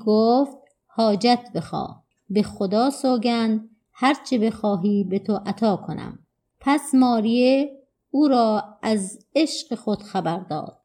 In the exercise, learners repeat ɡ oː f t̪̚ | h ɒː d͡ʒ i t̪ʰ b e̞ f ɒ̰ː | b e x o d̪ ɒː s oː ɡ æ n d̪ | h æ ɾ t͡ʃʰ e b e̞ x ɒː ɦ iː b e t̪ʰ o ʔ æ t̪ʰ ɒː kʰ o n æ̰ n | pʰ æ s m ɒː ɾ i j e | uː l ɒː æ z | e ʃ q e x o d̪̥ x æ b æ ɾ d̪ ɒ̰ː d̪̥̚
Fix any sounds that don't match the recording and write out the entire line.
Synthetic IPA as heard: ɡ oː f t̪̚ | h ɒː d͡ʒ æ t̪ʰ b e̞ x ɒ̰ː | b e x o d̪ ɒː s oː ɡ æ n d̪ | h æ ɾ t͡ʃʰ e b e̞ x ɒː ɦ iː b e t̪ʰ o ʔ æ t̪ʰ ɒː kʰ o n æ̰ m | pʰ æ s m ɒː ɾ i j e | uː ɾ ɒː æ z | e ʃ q e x o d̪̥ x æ b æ ɾ d̪ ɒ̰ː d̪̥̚